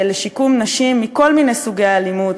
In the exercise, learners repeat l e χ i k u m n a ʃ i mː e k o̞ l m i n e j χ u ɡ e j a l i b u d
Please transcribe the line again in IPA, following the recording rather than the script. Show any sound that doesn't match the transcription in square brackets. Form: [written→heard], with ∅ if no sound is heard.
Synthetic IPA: l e [χ→ʃ] i k u m n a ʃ i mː [e→i] k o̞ l m i n e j [χ→s] u ɡ e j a l i [b→m] u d